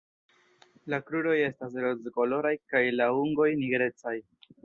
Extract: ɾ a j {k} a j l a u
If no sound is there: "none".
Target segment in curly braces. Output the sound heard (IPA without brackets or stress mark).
k